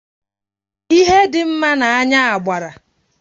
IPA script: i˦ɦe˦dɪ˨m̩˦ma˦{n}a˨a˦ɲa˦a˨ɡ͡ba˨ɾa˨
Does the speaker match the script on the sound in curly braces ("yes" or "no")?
yes